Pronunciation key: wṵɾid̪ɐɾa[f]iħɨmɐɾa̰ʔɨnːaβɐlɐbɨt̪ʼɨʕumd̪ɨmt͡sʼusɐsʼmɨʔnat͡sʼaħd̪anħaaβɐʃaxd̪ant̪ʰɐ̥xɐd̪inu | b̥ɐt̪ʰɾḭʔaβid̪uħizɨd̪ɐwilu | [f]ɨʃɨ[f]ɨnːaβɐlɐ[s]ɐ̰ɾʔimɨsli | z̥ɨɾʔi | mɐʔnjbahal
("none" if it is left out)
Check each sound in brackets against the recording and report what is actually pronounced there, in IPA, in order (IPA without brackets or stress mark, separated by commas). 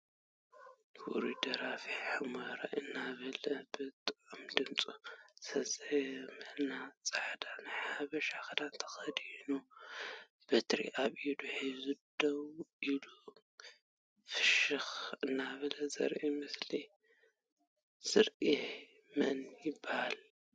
f, f, x, z